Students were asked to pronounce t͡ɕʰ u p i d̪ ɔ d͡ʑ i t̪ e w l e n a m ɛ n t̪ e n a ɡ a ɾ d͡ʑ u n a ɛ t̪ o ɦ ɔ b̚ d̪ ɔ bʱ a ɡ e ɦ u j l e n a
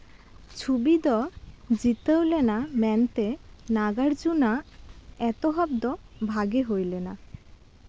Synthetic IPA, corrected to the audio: t͡ɕʰ u b i d̪ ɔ d͡ʑ i t̪ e w l e n a m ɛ n t̪ e n a ɡ a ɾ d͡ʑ u n a ɛ t̪ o ɦ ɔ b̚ d̪ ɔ bʱ a ɡ e ɦ o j l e n a